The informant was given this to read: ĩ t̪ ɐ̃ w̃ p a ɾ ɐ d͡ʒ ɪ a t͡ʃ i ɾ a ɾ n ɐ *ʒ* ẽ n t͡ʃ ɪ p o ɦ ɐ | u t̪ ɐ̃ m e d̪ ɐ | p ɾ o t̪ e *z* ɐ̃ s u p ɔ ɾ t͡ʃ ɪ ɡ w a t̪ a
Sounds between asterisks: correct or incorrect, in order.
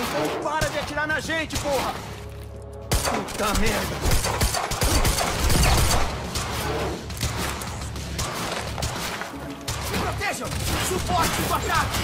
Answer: correct, incorrect

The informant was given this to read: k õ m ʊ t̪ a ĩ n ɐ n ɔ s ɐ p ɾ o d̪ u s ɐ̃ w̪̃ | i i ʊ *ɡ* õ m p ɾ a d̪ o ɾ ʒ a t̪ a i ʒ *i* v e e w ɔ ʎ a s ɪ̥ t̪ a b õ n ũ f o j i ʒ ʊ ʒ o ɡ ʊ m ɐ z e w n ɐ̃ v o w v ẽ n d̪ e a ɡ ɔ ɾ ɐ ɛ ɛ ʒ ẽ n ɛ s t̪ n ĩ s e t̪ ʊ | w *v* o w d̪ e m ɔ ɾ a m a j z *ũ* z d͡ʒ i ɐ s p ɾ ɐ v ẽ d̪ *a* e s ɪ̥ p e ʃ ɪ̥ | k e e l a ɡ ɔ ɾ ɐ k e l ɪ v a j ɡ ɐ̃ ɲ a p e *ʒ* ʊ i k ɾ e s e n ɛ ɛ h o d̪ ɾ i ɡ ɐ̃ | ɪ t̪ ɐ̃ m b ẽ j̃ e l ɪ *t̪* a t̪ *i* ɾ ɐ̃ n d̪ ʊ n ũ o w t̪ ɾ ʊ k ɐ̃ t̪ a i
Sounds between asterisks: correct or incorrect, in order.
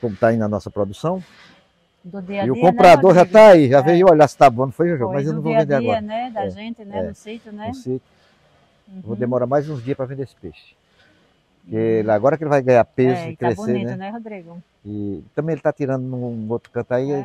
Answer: incorrect, incorrect, correct, correct, incorrect, incorrect, correct, correct

